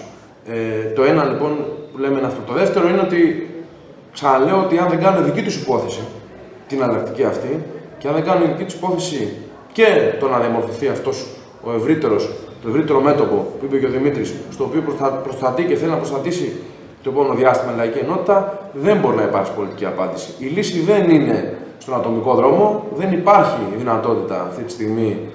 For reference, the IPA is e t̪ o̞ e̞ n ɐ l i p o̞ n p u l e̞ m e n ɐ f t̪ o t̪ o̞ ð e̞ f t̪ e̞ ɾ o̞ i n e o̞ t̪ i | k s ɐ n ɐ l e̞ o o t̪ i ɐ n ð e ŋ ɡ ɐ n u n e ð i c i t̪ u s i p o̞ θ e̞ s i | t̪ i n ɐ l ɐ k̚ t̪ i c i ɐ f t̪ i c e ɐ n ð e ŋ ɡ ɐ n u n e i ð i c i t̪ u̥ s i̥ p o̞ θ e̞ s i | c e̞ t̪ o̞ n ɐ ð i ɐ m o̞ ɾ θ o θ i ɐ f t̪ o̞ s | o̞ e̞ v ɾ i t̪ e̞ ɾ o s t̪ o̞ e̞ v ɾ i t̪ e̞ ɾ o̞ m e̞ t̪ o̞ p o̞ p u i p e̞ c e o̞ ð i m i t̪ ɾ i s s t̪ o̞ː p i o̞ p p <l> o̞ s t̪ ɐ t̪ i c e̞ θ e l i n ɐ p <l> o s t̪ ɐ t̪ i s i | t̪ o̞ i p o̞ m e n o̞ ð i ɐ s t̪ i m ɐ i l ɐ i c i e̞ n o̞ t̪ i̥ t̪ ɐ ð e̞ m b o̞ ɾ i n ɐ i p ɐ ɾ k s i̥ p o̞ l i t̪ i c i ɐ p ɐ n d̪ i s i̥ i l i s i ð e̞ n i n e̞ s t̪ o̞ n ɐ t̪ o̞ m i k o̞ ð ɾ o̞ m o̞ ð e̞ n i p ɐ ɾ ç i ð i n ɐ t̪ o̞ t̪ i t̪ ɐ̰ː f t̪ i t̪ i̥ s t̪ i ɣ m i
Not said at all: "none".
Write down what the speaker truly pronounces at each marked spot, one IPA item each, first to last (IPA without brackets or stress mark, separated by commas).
ɾ, ɾ